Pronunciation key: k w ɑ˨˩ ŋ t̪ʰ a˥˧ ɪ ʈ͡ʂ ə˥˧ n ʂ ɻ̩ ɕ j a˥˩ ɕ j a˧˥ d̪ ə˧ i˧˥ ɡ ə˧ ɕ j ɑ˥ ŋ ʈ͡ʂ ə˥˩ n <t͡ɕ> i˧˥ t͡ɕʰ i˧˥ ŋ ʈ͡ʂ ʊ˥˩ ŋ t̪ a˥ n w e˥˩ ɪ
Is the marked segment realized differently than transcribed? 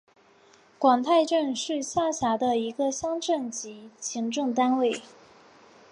no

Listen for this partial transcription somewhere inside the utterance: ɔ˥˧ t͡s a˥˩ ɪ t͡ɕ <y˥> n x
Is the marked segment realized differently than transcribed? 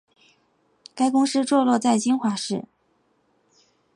yes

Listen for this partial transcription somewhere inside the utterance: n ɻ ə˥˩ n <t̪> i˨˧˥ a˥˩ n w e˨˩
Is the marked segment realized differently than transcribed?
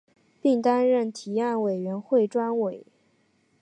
yes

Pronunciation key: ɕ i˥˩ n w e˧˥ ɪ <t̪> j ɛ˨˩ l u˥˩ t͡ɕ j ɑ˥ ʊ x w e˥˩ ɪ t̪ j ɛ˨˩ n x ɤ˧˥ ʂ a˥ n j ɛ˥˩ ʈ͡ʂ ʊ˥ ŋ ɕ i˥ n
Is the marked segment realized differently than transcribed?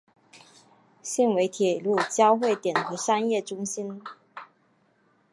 yes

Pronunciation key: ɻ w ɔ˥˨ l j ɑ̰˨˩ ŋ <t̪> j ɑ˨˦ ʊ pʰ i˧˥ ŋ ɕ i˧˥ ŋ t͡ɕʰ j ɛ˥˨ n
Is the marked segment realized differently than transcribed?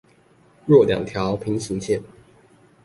yes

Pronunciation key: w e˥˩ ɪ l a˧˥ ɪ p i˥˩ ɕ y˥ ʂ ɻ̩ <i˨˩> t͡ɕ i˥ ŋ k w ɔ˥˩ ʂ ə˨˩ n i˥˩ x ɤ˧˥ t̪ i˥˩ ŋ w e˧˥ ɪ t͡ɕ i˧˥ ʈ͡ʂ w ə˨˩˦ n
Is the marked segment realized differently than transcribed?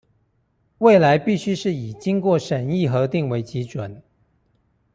no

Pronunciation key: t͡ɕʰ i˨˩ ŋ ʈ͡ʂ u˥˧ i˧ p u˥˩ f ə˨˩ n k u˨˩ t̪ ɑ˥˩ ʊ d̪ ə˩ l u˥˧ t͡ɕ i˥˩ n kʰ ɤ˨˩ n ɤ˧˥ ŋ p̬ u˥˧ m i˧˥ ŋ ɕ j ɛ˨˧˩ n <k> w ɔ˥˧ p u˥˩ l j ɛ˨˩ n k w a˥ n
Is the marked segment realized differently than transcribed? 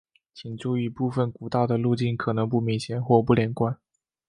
yes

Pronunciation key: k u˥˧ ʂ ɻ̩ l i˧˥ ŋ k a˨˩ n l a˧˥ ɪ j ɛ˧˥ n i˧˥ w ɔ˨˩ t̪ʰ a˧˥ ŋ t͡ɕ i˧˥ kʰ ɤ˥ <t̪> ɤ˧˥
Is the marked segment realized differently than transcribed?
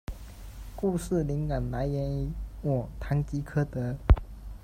no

